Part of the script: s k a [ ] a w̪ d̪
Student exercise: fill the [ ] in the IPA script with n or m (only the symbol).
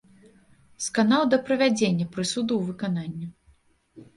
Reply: n